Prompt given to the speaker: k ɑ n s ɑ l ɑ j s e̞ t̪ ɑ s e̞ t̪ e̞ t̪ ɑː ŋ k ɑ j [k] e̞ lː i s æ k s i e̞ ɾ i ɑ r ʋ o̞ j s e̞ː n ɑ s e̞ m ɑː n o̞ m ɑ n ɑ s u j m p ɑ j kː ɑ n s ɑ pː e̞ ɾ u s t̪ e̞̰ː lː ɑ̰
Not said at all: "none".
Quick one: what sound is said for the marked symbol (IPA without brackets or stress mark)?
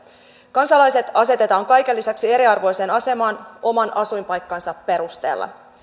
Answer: k